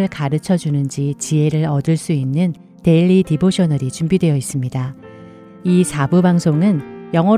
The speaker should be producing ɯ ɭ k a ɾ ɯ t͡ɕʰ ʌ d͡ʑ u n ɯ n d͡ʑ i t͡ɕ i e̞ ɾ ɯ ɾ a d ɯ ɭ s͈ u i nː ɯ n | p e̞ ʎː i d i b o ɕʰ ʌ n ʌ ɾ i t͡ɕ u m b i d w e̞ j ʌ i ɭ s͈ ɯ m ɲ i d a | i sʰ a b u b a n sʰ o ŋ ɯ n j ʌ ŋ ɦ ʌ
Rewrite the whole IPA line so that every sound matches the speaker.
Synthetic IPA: ɯ ɭ k a ɾ ɯ t͡ɕʰ ʌ d͡ʑ u n ɯ n d͡ʑ i t͡ɕ i e̞ ɾ ɯ ɾ ʌ d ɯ ɭ s͈ u i nː ɯ n | t e̞ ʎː i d i b o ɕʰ ʌ n ʌ ɾ i t͡ɕ u m b i d w e̞ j ʌ i s͈ ɯ m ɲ i d a | i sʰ a b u b a ŋ sʰ o ŋ ɯ n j ʌ ŋ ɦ ʌ